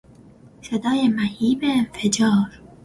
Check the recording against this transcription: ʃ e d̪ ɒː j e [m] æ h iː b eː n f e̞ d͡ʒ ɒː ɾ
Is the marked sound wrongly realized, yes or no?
no